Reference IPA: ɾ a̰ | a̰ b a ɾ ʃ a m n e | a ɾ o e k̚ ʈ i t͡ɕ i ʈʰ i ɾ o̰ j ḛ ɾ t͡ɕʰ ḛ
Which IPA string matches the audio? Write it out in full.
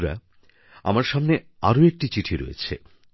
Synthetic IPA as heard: ɾ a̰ | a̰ m a ɾ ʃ a m n e | a ɾ o e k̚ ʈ i t͡ɕ i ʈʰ i ɾ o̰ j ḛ t͡ɕʰ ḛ